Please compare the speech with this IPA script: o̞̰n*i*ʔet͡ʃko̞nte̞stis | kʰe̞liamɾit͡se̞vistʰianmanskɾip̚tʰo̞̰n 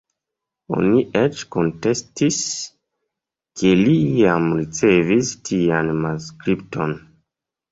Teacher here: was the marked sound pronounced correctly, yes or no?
yes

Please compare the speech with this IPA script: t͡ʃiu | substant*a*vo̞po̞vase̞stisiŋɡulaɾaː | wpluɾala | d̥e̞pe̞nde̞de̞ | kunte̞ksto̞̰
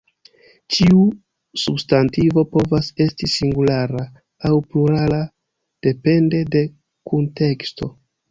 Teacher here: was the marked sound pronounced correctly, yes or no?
no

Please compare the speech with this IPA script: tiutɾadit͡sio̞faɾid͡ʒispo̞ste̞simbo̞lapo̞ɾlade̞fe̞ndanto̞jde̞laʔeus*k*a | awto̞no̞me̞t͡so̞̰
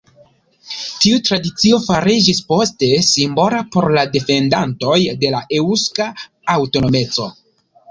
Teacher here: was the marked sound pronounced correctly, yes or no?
yes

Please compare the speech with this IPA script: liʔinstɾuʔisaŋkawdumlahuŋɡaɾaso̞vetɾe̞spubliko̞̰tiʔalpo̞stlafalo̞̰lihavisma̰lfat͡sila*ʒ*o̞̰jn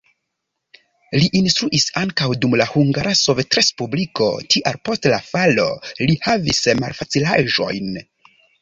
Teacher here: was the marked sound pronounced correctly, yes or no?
yes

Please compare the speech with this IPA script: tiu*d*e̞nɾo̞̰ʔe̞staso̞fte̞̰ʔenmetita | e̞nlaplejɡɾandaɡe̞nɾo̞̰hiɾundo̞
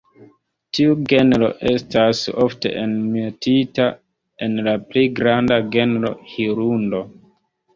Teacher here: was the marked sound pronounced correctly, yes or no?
no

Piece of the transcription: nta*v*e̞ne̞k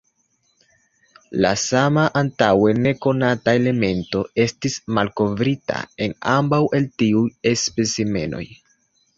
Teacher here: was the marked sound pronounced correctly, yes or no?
no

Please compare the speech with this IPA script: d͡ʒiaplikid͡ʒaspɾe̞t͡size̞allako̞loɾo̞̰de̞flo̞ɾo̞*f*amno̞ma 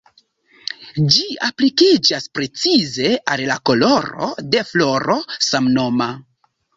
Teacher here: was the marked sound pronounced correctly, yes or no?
no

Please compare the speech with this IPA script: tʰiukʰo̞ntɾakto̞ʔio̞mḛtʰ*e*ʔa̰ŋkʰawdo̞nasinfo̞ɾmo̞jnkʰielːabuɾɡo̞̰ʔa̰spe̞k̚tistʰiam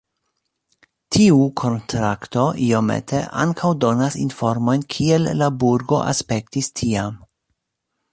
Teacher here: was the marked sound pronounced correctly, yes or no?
yes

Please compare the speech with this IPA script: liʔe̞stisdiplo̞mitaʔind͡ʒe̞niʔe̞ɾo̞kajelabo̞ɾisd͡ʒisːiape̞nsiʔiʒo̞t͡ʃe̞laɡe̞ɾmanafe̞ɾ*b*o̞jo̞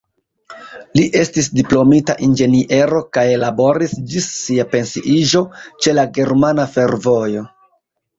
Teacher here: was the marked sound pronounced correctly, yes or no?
no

